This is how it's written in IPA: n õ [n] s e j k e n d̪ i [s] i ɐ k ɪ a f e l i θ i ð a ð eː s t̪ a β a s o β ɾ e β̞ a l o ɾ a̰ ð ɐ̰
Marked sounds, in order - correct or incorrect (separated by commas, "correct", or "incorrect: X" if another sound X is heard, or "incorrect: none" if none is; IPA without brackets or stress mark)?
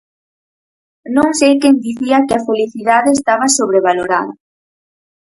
incorrect: ŋ, incorrect: θ